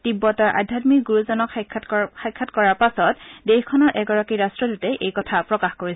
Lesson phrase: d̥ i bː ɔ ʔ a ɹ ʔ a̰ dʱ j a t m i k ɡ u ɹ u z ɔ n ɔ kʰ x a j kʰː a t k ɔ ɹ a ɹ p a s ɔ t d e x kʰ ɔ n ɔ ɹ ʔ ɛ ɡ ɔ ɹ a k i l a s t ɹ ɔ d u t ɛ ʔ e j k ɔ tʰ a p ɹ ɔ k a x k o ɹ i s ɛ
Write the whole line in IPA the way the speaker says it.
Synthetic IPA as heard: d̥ i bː ɔ t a ɹ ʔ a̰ dʱ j a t m i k ɡ u ɹ u z ɔ n ɔ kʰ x a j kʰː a t k ɔ ɹ a ɹ p a s ɔ t d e x kʰ ɔ n ɔ ɹ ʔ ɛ ɡ ɔ ɹ a k i ɹ a s t ɹ ɔ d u t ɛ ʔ e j k ɔ tʰ a p ɹ ɔ k a x k o ɹ i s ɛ